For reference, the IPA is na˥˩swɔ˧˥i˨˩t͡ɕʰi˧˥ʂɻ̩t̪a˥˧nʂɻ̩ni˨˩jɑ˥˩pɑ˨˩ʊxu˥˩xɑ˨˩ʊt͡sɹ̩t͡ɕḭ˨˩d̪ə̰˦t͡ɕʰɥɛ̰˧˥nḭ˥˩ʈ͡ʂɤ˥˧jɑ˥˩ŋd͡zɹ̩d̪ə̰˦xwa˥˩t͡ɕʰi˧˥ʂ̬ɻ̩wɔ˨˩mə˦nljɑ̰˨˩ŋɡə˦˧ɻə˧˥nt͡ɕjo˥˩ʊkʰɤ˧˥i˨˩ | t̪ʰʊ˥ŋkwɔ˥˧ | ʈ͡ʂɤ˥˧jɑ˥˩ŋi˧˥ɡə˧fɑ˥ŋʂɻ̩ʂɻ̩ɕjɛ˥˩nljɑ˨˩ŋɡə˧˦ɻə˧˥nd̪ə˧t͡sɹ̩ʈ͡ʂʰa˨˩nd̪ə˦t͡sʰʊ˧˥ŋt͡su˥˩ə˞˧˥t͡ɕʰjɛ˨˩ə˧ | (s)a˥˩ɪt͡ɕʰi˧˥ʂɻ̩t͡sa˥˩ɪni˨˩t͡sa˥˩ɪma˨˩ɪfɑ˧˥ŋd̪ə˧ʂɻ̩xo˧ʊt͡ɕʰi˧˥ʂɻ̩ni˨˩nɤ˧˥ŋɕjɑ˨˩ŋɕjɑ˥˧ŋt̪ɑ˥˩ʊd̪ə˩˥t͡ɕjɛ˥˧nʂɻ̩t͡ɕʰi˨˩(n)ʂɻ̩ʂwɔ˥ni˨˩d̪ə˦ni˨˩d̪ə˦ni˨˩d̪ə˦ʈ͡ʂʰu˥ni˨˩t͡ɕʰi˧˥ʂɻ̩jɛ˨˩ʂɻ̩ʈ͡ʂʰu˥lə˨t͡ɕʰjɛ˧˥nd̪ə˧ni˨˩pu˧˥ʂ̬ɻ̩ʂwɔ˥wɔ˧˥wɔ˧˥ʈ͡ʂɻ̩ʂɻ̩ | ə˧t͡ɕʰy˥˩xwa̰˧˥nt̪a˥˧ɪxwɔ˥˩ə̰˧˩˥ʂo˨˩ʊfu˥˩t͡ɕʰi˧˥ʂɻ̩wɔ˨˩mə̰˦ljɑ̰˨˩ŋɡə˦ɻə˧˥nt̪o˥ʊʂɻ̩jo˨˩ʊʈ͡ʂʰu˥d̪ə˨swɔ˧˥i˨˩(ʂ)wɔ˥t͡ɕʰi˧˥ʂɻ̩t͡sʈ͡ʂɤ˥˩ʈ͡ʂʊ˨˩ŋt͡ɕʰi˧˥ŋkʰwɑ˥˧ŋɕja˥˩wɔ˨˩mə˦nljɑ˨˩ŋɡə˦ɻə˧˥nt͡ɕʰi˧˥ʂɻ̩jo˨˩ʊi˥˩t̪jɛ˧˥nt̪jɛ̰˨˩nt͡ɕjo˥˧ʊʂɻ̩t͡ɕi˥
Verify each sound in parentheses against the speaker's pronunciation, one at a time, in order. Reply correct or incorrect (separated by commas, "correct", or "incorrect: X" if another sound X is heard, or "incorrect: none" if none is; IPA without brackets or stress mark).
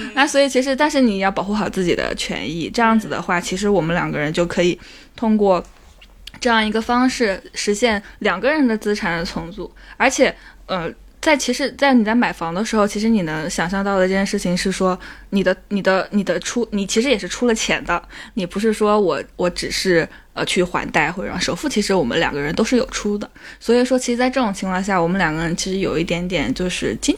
incorrect: t͡s, incorrect: ŋ, correct